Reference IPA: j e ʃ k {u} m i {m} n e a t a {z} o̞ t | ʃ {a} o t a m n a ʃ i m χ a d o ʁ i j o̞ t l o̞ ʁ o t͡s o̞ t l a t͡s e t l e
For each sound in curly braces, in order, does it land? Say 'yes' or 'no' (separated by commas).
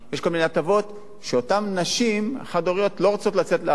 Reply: no, no, no, no